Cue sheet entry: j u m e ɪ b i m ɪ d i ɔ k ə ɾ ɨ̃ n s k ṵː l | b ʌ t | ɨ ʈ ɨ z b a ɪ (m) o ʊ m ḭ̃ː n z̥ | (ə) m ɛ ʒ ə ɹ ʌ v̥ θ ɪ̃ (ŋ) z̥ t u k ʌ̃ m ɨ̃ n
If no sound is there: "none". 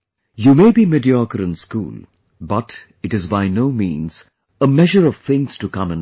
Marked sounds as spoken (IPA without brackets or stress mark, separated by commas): n, ə, ŋ